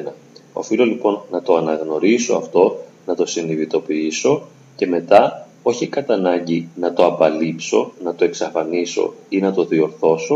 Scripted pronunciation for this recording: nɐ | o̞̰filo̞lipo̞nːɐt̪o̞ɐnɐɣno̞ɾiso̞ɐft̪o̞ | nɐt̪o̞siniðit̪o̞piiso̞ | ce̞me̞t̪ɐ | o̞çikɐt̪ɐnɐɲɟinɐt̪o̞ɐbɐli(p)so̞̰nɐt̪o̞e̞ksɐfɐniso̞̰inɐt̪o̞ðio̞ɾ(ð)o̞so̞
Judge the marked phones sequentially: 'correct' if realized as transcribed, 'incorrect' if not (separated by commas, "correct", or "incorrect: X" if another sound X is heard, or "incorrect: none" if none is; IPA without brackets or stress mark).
correct, incorrect: θ